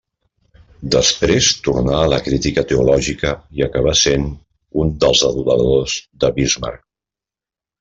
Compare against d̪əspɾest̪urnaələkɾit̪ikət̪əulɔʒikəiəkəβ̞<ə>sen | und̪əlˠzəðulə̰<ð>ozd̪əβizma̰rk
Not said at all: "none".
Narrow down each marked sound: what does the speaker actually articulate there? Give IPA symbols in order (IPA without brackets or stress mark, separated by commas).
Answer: a, ð